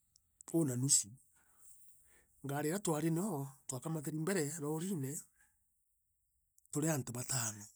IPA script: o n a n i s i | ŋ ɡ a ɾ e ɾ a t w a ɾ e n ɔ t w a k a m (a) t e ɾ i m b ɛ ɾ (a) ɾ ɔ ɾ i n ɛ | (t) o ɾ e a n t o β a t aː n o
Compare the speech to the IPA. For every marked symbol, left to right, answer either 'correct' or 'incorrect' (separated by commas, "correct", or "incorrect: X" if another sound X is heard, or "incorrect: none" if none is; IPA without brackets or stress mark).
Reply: correct, incorrect: ɛ, correct